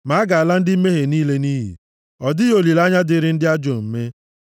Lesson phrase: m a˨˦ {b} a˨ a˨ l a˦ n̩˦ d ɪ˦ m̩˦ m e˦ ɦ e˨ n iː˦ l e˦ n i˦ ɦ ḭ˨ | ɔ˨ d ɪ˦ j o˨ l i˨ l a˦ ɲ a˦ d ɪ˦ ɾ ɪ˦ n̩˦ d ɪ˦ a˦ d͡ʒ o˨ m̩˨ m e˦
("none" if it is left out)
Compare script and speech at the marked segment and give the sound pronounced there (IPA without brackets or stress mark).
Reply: ɡ